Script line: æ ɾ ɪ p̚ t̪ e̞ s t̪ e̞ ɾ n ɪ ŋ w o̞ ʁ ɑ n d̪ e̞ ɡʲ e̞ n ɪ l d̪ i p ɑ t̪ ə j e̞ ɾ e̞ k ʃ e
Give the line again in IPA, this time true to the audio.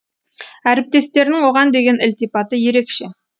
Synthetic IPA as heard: æ ɾ ɪ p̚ t̪ e̞ s t̪ e̞ ɾ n ɪ ŋ w o̞ ʁ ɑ n d̪ e̞ ɡʲ e̞ n ɪ l t̪ i p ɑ t̪ ə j e̞ ɾ e̞ k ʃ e

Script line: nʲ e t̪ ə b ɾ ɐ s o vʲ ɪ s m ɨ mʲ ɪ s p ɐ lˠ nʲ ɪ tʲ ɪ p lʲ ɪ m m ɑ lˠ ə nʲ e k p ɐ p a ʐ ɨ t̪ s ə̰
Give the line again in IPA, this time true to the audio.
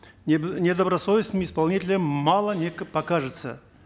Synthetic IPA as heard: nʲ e d̪ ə b ɾ ɐ s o vʲ ɪ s n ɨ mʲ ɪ s p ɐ lˠ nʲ i tʲ ɪ lʲ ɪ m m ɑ lˠ ə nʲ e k p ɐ k a ʐ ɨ t̪ s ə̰

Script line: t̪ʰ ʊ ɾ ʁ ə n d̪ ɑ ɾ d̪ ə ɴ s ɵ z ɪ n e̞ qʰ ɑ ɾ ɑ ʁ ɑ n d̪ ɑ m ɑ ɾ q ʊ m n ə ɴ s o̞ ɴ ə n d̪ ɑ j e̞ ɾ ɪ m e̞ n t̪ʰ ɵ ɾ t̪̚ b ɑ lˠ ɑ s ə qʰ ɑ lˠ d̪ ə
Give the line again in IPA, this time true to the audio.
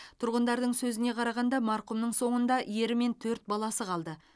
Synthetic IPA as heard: t̪ʰ ʊ ɾ ʁ ə n d̪ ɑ ɾ d̪ ə ɴ s ɵ z ɪ n e̞ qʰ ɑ ɾ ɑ ʁ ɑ n d̪ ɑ m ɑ ɾ q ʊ m n ə ɴ s o̞ ɴ ə n d̪ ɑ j e̞ ɾ ɪ m e̞ n t̪ʰ ɵ ɾ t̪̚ b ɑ lˠ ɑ s ə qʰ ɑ lˠ d̪ ə

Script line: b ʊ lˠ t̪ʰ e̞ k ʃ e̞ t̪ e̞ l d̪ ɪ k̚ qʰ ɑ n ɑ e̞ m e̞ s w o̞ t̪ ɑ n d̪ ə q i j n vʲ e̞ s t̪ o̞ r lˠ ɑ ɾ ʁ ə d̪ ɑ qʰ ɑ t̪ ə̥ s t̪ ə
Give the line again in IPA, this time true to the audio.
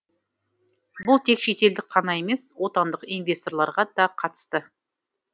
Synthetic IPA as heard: b ʊ lˠ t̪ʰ e̞ k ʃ e̞ t̪ e̞ l d̪ ɪ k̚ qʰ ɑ n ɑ e̞ m e̞ s w o̞ t̪ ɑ n d̪ ə q i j n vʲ e̞ s t̪ o̞ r lˠ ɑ ɾ ʁ ɑ d̪ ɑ qʰ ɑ t̪ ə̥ s t̪ ə

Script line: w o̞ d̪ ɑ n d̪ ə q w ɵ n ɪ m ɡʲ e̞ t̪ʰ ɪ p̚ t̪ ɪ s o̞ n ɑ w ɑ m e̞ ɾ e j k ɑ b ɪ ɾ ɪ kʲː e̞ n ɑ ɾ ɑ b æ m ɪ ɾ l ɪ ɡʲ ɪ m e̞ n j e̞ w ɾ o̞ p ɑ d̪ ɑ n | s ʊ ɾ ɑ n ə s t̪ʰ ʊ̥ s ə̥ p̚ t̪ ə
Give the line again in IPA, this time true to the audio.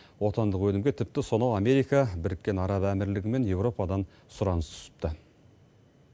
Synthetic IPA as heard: w o̞ t̪ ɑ n d̪ ə q w ɵ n ɪ m ɡʲ e̞ t̪ʰ ɪ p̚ t̪ ɪ s o̞ n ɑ w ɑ m e̞ ɾ i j k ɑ b ɪ ɾ ɪ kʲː e̞ n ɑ ɾ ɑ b æ m ɪ ɾ l ɪ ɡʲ ɪ m e̞ n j e̞ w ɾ o̞ p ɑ d̪ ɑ n | s ʊ ɾ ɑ n ə s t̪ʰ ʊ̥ s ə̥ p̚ t̪ ə

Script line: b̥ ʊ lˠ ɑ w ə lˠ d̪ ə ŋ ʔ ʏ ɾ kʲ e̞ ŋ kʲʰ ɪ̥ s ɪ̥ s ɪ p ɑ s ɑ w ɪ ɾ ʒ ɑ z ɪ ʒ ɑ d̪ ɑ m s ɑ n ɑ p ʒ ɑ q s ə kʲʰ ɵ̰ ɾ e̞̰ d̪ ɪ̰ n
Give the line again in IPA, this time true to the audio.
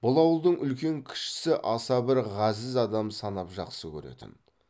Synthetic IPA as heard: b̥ ʊ lˠ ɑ w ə lˠ d̪ ə ɴ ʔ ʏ l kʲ e̞ ŋ kʲʰ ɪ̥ ʃ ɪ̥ s ɪ ʔ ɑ s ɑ b ɪ ɾ ʁ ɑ z ɪ z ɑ d̪ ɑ m s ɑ n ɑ p ʒ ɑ q s ə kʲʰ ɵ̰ ɾ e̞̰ t̪ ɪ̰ n

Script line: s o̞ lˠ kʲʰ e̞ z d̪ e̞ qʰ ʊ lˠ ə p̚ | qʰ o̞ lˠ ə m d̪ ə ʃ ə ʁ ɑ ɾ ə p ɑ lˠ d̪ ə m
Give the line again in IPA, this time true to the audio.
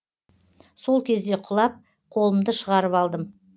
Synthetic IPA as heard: s o̞ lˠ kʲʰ e̞ z d̪ e̞ qʰ ʊ lˠ ɑ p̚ | qʰ o̞ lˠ ə m d̪ ə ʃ ə ʁ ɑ ɾ ə p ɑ lˠ d̪ ə m

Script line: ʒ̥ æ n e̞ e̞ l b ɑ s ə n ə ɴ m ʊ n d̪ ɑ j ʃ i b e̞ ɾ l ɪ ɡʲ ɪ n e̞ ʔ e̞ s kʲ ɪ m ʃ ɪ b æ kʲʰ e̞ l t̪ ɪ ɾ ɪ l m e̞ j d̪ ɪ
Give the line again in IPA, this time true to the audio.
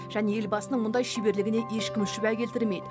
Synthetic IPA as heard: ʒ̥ æ n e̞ e̞ l b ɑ s ə n ə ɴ m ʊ n d̪ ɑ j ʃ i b e̞ ɾ l ɪ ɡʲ ɪ n e̞ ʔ e̞ ʃ kʲ ɪ m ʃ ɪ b æ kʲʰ e̞ l t̪ ɪ ɾ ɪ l m e̞ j d̪ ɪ

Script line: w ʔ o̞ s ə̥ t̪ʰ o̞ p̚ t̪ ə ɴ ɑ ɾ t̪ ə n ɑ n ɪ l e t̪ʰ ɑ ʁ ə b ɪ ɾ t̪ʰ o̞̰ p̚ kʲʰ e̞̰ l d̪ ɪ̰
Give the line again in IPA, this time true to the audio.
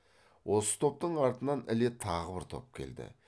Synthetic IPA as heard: w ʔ o̞ s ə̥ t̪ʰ o̞ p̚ t̪ ə ɴ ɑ ɾ t̪ ə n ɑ n ɪ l e t̪ʰ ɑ ʁ ə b ɪ ɾ t̪ʰ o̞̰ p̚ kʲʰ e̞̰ l d̪ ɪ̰

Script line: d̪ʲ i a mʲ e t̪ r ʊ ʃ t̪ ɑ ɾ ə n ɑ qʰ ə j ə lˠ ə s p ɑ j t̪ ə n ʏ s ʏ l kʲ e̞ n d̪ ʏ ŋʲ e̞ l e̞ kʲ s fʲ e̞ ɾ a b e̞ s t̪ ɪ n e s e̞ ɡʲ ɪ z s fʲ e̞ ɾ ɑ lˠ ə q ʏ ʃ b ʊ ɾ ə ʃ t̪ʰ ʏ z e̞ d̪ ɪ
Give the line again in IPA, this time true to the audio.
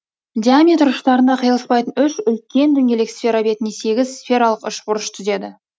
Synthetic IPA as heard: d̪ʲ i a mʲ e t̪ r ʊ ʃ t̪ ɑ ɾ ə n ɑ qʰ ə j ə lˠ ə s p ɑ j t̪ ə n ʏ ʃ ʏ l kʲ e̞ n d̪ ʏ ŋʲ e̞ l e̞ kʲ s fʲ e̞ ɾ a b e̞ t̪ ɪ n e s e̞ ɡʲ ɪ z s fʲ e̞ ɾ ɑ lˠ ə q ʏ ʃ b ʊ ɾ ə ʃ t̪ʰ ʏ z e̞ d̪ ɪ

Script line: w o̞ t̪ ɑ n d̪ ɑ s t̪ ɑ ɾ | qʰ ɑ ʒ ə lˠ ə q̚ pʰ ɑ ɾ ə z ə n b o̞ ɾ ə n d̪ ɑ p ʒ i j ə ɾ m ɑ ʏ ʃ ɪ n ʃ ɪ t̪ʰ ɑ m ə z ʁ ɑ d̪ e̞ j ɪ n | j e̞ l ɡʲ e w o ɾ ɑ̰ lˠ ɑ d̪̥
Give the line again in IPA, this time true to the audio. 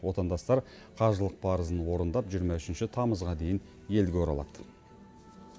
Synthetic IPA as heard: w o̞ t̪ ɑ n d̪ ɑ s t̪ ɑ ɾ | qʰ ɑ ʒ ə lˠ ə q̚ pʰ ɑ ɾ ə z ə n w o̞ ɾ ə n d̪ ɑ p ʒ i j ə ɾ m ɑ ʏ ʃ ɪ n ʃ ɪ t̪ʰ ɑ m ə z ʁ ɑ d̪ e̞ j ɪ n | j e̞ l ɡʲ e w o ɾ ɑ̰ lˠ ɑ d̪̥

